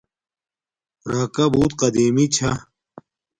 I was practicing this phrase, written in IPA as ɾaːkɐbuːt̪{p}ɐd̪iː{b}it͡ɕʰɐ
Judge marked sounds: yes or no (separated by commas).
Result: no, no